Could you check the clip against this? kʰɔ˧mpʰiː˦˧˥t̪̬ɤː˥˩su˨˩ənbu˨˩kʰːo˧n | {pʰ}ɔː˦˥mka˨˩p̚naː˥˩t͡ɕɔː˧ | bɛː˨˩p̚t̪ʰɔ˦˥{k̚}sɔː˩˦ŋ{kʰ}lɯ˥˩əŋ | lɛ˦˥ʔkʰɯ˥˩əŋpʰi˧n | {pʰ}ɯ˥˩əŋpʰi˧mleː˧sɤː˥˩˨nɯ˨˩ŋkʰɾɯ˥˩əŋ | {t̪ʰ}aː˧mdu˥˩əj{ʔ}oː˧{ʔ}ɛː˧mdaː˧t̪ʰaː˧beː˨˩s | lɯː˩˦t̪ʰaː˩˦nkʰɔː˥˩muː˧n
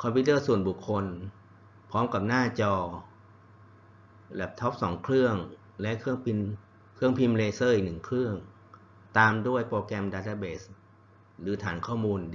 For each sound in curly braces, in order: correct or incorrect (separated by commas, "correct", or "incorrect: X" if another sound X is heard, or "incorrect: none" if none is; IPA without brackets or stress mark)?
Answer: correct, incorrect: p̚, correct, incorrect: kʰ, incorrect: t̪, incorrect: p, incorrect: k